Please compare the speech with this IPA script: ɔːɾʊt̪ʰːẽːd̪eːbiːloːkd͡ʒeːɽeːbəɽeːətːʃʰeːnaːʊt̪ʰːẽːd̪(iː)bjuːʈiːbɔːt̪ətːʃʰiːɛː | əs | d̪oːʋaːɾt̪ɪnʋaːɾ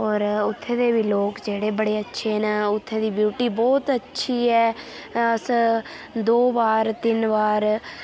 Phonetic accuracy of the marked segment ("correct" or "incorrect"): correct